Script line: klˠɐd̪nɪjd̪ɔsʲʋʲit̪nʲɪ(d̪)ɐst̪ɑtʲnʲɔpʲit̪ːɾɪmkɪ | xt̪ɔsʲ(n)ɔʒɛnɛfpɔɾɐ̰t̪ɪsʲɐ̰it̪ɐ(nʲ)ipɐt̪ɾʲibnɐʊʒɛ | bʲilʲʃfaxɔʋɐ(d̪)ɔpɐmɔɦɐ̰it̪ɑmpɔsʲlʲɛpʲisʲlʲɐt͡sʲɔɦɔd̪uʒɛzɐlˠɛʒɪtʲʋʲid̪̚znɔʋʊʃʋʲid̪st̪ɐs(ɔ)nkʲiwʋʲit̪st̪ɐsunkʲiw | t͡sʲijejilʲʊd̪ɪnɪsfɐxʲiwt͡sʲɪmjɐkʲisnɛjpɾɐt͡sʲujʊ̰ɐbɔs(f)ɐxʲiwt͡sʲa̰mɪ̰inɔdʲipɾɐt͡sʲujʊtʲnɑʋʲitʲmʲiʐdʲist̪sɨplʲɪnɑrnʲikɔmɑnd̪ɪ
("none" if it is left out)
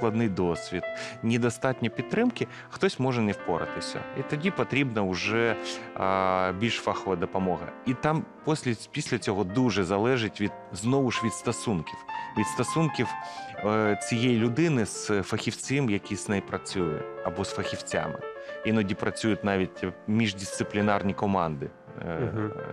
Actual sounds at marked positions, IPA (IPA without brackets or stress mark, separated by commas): d̪, m, dʲ, d̪, u, f